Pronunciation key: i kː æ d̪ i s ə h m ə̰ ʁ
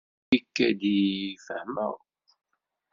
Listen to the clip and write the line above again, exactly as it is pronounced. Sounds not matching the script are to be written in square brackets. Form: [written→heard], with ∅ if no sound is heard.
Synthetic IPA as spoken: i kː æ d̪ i [s→f] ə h m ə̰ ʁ